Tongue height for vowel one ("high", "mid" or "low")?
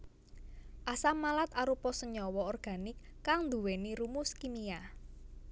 low